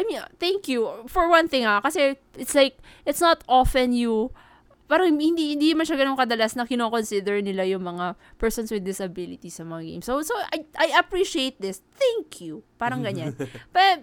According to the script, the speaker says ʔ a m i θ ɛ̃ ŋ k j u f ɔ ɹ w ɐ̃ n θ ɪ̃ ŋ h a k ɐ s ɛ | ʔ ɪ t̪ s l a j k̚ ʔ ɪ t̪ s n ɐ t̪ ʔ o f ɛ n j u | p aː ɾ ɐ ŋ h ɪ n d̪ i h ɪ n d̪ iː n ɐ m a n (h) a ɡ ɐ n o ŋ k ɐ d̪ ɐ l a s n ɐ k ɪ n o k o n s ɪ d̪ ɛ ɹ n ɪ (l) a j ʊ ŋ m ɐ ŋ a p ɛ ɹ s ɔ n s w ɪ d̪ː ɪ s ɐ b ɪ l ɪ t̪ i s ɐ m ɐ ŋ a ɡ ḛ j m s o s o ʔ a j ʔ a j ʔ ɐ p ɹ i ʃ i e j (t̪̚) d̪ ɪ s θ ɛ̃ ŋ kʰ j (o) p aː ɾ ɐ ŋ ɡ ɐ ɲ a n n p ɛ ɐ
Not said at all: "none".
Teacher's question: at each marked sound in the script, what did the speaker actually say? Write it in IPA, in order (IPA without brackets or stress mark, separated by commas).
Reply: ʃ, l, t̪̚, u